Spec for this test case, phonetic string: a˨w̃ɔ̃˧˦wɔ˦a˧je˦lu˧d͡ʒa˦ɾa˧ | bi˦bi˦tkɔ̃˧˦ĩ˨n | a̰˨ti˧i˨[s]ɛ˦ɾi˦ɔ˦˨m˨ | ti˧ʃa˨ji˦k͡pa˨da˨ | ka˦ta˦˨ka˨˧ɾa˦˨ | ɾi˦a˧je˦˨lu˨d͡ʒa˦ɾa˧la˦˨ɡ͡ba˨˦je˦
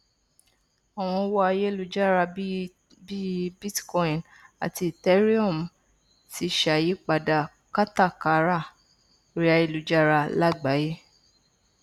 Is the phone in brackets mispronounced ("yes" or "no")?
yes